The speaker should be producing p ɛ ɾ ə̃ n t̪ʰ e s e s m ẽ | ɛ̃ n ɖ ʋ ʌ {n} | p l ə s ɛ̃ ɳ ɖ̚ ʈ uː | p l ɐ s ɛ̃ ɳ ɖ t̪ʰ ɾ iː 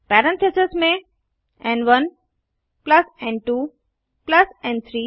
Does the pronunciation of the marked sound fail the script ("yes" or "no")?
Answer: no